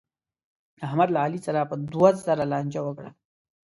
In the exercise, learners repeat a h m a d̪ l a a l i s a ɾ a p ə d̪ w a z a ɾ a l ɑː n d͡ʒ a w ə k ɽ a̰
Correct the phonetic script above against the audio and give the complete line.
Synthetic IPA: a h m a d̪ l a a l i s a ɾ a p ə d̪ w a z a ɾ a l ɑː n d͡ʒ a w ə k ɽ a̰